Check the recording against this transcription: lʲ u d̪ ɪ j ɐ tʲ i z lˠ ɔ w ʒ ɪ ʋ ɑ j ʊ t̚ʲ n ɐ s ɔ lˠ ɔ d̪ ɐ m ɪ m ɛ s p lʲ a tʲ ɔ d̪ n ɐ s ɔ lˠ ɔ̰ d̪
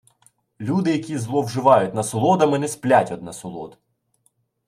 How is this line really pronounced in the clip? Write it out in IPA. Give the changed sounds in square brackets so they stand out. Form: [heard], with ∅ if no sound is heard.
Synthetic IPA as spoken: lʲ u d̪ ɪ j ɐ [kʲ] i z lˠ ɔ w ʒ ɪ ʋ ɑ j ʊ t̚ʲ n ɐ s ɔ lˠ ɔ d̪ ɐ m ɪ [n] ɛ s p lʲ a tʲ ɔ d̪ n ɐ s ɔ lˠ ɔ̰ d̪